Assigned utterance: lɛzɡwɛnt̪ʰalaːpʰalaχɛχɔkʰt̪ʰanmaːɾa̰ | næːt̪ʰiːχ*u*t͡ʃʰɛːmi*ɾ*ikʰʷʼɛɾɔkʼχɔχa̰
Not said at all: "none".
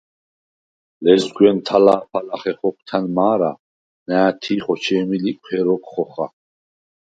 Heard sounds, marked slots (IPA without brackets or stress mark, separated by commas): ɔ, l